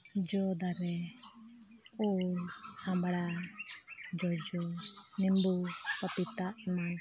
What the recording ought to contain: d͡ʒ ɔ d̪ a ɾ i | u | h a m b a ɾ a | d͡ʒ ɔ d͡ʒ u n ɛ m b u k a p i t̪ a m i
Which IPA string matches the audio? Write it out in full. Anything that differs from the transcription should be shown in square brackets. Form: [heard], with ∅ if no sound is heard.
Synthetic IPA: d͡ʒ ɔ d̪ a ɾ [ɛ] | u | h a m b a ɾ a | d͡ʒ ɔ d͡ʒ [ɔ] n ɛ m b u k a p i t̪ a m [a]